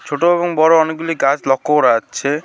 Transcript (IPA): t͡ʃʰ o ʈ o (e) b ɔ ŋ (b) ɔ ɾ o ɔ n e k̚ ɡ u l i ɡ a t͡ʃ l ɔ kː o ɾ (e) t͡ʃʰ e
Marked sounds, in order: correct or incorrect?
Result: correct, correct, incorrect: a

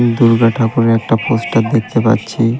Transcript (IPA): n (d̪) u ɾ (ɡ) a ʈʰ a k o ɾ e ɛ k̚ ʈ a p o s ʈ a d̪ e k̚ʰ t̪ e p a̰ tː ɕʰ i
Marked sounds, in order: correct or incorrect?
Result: correct, correct

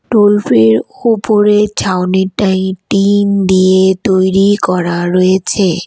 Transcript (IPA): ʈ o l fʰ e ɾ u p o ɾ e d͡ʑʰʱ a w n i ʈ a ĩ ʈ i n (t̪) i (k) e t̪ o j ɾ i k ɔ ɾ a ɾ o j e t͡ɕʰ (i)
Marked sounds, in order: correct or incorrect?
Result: incorrect: d̪, incorrect: none, incorrect: e

